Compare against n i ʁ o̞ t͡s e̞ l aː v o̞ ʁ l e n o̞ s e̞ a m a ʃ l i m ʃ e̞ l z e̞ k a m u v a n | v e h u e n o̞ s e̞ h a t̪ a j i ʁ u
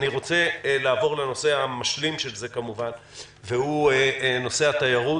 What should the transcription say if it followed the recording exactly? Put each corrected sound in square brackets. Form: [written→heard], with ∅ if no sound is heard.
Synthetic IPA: n i ʁ o̞ t͡s e̞ l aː v o̞ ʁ l e n o̞ s e̞ a m a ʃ l i m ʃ e̞ l z e̞ k a m u v a n | v e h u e n o̞ s e̞ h a t̪ a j [i→a] ʁ u